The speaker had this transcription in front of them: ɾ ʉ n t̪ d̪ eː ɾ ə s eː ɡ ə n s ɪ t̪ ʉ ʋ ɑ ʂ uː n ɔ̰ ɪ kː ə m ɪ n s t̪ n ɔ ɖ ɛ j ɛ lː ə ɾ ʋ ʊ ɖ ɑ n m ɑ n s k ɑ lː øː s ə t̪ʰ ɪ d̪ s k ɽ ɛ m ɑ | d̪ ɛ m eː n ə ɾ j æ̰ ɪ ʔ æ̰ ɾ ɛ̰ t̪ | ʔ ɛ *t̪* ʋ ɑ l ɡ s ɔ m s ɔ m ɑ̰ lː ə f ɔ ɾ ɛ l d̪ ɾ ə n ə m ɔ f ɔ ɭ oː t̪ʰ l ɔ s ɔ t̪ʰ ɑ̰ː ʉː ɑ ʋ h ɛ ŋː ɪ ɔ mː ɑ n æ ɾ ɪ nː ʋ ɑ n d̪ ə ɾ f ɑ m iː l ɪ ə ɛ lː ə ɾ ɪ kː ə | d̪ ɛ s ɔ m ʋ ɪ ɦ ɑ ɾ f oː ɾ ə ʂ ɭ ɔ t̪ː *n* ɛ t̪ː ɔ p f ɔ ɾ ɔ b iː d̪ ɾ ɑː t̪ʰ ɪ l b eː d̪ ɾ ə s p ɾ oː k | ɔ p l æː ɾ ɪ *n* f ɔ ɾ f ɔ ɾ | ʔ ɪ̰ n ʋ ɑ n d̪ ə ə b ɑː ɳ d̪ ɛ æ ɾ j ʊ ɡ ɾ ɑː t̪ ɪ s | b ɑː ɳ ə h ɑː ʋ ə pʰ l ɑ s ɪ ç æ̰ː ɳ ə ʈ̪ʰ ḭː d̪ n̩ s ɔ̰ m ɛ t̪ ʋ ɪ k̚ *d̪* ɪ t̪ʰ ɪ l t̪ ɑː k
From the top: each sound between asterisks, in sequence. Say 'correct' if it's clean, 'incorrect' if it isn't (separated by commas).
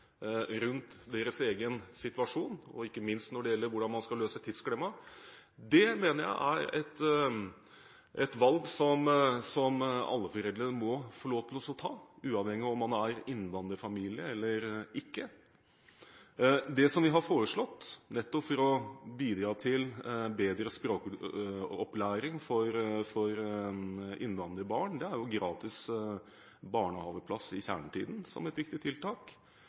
correct, correct, incorrect, incorrect